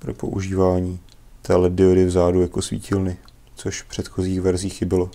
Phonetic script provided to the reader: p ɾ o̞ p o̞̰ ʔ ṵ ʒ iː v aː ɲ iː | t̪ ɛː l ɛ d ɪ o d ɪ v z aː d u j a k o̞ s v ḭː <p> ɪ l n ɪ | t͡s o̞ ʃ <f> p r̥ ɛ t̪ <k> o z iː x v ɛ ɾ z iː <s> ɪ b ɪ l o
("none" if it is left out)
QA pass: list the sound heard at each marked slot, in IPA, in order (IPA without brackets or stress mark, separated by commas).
c, f, x, x